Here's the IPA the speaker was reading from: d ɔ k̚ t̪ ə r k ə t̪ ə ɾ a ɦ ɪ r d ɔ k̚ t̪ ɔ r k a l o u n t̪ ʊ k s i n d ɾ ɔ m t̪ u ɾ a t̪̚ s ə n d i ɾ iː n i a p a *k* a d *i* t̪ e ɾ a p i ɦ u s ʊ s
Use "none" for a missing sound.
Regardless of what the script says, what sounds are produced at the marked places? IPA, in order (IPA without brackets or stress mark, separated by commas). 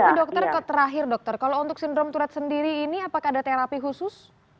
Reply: k, a